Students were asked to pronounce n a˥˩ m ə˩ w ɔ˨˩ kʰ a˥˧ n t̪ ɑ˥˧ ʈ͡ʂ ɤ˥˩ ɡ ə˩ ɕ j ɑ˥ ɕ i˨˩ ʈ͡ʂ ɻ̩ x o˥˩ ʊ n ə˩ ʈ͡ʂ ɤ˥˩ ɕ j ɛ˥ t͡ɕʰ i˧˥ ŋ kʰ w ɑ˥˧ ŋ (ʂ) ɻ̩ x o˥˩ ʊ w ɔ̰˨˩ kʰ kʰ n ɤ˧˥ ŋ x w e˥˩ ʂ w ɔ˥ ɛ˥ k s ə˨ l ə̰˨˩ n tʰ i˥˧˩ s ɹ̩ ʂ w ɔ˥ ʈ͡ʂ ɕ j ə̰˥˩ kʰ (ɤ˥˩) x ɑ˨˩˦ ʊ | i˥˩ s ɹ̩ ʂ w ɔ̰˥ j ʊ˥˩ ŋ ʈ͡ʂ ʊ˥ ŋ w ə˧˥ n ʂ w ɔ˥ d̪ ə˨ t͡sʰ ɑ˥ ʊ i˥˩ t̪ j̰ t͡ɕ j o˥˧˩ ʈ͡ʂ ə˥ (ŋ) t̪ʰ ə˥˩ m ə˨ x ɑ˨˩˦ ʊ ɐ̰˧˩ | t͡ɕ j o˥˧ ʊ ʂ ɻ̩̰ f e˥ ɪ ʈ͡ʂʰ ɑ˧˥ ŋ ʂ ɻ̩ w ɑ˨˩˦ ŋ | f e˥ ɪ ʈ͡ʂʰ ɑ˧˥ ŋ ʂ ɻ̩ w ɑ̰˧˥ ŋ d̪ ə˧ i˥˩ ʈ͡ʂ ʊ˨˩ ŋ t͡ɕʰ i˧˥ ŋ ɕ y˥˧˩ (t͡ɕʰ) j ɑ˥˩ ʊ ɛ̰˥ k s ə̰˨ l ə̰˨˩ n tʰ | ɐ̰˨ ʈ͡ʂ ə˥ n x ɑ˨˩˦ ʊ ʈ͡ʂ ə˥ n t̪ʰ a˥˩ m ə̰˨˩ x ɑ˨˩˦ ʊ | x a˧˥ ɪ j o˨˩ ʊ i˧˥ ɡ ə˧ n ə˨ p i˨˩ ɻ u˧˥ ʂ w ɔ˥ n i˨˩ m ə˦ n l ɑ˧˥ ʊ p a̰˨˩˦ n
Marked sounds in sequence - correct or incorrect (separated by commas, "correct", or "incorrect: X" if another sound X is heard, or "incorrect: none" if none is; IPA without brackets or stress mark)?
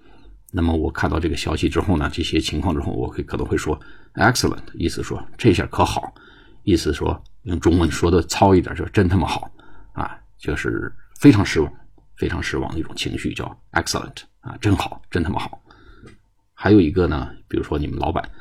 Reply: incorrect: ʈ͡ʂ, incorrect: ɤ˧˥, incorrect: n, incorrect: t͡ɕ